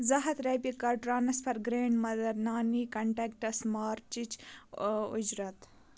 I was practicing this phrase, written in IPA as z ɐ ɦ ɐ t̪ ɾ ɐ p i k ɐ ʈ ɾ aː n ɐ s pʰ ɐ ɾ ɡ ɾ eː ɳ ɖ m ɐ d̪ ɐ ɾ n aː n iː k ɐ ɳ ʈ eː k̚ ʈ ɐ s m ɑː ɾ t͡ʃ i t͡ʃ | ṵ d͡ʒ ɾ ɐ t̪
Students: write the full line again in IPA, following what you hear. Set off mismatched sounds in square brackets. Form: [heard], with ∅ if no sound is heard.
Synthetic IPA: z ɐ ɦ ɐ t̪ ɾ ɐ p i k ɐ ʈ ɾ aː n ɐ s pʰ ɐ ɾ ɡ ɾ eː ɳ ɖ m ɐ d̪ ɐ ɾ n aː n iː k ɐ ɳ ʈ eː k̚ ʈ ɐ s m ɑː ɾ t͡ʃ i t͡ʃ | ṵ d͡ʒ ɾ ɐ t̪